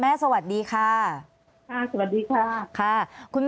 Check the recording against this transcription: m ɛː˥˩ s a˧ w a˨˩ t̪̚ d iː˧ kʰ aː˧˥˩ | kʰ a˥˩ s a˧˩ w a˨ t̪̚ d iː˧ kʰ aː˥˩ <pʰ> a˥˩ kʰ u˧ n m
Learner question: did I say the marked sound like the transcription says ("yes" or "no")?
no